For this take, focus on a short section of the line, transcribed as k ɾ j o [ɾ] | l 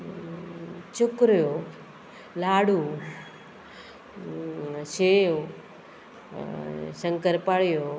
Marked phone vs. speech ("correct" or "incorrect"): incorrect